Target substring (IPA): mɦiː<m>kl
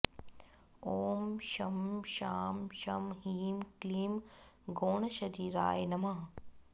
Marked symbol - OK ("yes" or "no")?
yes